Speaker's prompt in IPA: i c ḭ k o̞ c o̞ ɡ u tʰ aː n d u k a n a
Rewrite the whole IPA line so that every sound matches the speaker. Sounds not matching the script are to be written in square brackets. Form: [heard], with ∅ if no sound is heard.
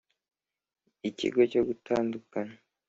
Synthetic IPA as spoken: i c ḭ [ɡ] o̞ c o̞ ɡ u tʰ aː n d u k a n a